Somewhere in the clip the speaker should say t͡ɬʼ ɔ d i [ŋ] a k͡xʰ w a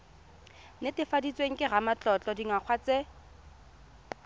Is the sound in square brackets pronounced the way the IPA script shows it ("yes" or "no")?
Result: yes